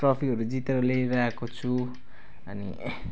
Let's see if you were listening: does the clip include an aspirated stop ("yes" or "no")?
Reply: yes